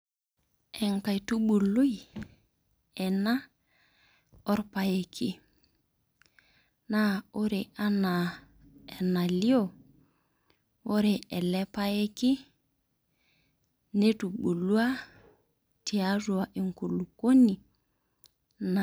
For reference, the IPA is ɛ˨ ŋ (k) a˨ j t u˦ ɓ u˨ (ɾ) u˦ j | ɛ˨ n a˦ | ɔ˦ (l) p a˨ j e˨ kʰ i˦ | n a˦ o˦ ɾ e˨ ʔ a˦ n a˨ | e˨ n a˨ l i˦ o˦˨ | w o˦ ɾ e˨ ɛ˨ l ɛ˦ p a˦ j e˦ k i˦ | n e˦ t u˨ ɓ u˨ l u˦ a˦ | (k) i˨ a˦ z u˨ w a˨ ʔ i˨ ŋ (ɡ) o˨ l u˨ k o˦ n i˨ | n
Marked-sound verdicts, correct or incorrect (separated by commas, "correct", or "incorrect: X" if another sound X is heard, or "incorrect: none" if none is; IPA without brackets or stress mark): correct, incorrect: l, incorrect: ɾ, incorrect: t, incorrect: k